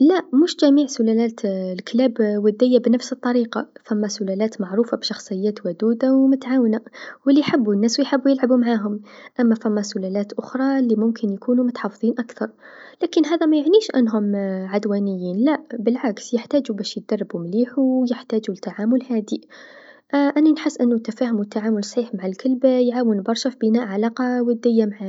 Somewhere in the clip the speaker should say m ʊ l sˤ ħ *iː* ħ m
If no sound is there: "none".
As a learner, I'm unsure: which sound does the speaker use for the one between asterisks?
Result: iː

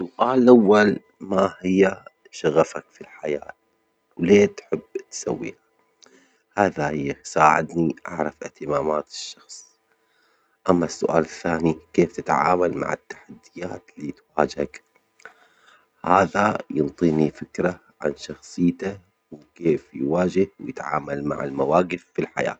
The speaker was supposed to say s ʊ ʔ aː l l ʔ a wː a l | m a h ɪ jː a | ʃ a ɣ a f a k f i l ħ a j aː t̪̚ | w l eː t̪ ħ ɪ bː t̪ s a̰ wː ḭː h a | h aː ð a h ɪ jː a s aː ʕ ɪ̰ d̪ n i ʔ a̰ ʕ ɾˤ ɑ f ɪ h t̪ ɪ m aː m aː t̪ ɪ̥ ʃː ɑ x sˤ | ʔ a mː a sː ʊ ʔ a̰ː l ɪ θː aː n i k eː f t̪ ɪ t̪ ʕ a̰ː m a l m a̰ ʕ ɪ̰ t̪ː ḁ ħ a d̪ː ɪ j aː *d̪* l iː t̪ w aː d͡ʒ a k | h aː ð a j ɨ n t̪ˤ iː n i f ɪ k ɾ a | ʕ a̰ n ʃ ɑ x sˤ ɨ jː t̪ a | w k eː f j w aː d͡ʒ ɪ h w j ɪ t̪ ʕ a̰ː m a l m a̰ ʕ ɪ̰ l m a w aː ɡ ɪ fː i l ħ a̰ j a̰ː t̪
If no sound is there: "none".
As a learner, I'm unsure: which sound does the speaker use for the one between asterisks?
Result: t̪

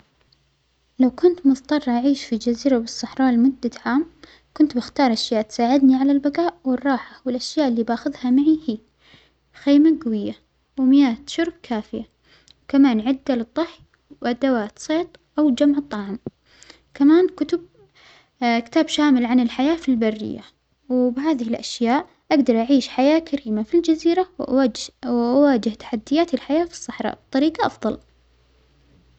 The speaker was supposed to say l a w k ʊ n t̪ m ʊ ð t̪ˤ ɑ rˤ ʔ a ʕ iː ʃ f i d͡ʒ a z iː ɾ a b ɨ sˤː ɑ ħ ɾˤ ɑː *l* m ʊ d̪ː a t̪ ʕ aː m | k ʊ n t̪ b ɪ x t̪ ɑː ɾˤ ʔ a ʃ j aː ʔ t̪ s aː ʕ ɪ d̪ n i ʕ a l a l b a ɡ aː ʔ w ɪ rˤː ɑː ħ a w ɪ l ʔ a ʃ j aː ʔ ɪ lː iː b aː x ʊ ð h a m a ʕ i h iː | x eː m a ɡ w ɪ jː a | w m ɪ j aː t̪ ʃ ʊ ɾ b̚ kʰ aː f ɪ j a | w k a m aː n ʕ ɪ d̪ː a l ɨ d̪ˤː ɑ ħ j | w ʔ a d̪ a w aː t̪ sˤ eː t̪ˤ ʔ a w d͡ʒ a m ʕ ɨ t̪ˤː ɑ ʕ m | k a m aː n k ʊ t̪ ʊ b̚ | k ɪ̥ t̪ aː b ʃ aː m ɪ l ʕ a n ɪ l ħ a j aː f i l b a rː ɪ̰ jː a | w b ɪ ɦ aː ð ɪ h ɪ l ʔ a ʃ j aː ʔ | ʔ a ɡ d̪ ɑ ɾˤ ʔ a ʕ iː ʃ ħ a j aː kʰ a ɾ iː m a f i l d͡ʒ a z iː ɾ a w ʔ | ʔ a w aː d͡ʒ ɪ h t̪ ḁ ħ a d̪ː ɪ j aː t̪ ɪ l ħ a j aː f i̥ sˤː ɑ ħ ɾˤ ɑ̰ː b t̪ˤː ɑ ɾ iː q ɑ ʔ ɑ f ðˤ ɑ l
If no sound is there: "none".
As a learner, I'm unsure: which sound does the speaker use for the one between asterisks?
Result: l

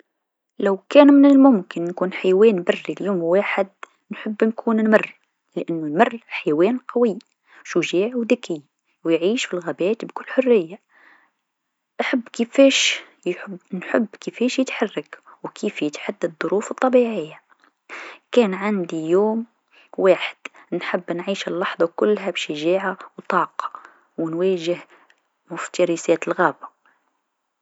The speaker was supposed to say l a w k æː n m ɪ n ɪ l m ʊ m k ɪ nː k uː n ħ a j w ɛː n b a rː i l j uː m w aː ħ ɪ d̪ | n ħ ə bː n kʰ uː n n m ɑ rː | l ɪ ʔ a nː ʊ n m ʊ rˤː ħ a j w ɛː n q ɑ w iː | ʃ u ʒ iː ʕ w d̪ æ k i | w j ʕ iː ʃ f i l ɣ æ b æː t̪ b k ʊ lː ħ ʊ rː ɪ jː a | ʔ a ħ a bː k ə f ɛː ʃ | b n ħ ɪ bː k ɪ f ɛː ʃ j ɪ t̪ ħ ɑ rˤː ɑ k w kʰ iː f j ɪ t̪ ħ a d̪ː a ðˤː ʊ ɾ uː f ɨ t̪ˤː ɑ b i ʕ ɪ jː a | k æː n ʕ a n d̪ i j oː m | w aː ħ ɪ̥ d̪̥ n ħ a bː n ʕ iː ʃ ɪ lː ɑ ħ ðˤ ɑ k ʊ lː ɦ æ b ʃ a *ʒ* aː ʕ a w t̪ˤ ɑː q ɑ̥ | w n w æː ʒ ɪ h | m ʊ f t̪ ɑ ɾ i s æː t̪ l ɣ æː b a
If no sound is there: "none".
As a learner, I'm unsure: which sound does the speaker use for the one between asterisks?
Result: ʒ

